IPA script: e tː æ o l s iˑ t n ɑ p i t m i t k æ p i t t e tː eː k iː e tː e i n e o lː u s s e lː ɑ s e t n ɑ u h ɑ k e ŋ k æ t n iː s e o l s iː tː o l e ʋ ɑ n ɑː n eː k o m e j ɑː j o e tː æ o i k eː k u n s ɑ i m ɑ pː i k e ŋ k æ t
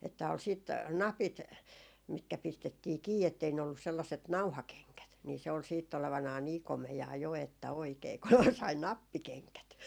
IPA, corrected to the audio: e tː æ o l s iˑ t n ɑ p i t m i t k æ p i s t e tː iː k iː e tː e i n e o lː u s s e lː ɑ s e t n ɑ u h ɑ k e ŋ k æ t n iː s e o l s iː tː o l e ʋ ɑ n ɑː n iː k o m e j ɑː j o e tː æ o i k eː k u n s ɑ i n ɑ pː i k e ŋ k æ t